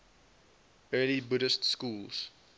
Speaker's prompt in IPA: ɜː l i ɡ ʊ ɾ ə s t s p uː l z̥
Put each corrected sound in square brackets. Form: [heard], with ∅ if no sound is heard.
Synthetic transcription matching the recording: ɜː l i [b] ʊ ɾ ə s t s [k] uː l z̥